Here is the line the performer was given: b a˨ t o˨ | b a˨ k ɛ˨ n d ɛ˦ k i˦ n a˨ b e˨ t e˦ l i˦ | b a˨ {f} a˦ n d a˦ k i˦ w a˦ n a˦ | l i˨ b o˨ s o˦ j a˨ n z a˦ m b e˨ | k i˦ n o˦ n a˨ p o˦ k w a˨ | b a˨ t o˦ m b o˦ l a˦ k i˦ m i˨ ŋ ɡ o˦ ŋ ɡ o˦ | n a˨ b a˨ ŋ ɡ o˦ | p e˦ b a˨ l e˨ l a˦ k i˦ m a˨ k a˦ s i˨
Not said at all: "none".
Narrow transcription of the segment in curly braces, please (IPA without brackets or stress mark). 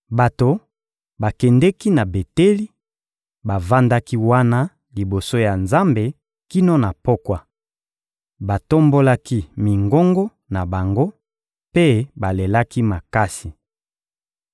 v